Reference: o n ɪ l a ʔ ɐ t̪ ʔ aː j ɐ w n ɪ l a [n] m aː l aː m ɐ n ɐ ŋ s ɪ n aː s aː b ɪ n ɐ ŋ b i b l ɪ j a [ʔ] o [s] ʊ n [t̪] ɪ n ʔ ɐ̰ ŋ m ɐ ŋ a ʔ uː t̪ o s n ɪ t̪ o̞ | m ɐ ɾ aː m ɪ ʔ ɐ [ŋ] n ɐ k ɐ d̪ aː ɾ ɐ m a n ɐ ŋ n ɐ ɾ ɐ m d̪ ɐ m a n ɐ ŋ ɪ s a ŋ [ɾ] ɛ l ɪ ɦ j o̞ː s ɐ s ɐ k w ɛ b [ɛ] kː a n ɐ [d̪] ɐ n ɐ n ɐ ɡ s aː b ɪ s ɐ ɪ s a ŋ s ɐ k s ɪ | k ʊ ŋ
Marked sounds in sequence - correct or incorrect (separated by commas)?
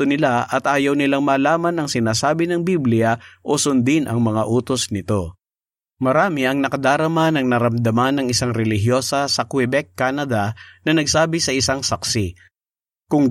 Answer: incorrect, correct, correct, incorrect, correct, correct, correct, correct